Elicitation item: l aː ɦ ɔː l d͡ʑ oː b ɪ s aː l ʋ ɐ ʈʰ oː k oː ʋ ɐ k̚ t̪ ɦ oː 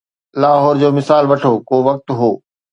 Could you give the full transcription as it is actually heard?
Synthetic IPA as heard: l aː ɦ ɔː ɾ d͡ʑ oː m ɪ s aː l ʋ ɐ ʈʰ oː k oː ʋ ɐ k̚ t̪ ɦ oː